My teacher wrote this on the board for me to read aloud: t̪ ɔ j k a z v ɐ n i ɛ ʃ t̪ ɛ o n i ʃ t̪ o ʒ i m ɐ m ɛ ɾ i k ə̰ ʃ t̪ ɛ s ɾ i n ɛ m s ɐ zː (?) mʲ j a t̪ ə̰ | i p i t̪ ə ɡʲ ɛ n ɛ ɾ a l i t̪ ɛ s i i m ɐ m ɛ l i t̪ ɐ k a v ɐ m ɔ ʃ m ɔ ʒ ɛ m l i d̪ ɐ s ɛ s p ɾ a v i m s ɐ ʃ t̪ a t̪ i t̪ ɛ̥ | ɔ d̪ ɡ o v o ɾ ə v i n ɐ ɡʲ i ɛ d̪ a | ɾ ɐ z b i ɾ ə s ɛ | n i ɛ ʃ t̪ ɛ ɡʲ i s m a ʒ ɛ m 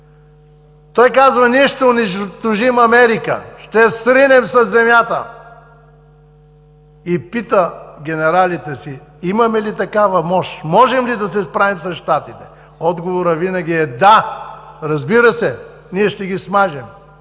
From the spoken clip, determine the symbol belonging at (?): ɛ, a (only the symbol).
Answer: ɛ